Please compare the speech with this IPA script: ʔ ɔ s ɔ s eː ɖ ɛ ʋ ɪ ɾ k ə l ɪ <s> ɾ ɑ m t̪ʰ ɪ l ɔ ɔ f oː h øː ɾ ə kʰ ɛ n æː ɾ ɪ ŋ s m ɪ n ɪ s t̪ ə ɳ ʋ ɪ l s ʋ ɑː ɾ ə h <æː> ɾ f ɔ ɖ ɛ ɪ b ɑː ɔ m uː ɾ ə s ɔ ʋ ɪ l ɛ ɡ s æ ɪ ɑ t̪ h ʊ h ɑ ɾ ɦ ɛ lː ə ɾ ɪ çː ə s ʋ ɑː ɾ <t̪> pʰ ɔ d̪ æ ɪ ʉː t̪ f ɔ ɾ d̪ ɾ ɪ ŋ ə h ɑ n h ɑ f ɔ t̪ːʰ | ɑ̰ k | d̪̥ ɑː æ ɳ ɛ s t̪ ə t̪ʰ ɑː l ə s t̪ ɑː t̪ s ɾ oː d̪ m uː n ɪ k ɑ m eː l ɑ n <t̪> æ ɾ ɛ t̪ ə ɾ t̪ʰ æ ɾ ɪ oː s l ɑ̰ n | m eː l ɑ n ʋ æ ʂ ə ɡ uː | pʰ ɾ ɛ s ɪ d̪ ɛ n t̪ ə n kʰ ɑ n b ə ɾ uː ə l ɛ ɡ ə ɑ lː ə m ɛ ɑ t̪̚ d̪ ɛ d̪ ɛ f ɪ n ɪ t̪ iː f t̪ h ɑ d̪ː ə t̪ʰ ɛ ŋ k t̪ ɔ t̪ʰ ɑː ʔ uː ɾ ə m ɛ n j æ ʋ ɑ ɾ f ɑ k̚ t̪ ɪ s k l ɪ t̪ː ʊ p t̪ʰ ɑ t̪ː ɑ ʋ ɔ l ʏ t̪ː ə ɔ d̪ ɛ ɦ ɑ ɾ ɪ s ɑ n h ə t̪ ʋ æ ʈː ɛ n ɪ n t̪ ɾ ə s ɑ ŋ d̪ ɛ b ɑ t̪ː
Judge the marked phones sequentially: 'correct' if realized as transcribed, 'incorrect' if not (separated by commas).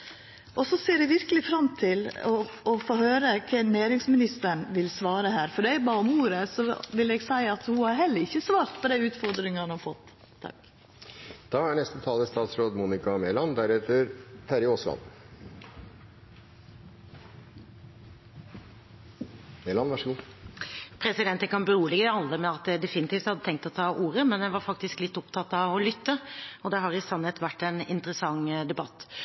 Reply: incorrect, correct, correct, incorrect